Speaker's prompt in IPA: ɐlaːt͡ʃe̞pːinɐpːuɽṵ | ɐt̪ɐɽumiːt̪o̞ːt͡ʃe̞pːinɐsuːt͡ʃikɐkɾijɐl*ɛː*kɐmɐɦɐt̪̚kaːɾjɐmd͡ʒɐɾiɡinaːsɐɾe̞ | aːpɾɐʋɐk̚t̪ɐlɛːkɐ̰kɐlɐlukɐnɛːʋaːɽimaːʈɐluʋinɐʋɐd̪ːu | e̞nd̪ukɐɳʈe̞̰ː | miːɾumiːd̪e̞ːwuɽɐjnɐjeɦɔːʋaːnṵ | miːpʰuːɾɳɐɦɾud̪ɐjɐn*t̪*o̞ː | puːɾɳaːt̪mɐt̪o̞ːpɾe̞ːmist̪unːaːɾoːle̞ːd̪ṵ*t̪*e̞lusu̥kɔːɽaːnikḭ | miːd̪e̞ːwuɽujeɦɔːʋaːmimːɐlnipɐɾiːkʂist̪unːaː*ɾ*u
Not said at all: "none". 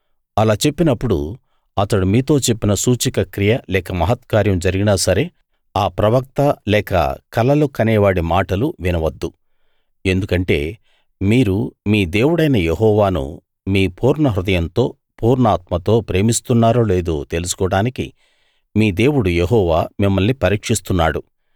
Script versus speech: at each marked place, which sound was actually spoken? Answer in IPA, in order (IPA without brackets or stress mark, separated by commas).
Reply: ɛː, t̪, t̪, ɽ